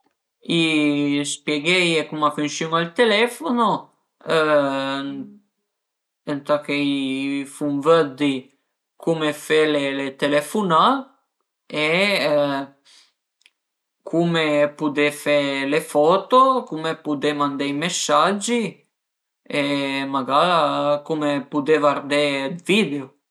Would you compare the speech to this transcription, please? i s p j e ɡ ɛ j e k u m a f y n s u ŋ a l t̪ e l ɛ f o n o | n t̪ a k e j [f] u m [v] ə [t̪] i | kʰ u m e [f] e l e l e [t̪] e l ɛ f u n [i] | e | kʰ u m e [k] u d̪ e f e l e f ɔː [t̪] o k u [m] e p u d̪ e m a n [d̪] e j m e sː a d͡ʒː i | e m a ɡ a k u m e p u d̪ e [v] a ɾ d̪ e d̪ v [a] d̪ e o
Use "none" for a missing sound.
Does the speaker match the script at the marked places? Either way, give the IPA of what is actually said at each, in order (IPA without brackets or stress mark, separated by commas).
f, v, d̪, f, t̪, a, p, t̪, m, d̪, v, i